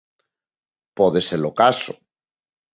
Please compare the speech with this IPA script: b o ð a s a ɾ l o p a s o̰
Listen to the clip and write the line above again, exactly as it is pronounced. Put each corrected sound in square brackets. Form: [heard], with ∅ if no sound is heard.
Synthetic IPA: [p] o ð [e] s [e] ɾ l o [k] a s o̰